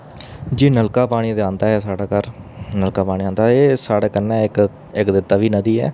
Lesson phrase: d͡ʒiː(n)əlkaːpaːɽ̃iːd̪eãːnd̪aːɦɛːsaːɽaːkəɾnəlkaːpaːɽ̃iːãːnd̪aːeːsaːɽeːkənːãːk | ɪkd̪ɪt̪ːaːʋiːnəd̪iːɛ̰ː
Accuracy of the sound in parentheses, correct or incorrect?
correct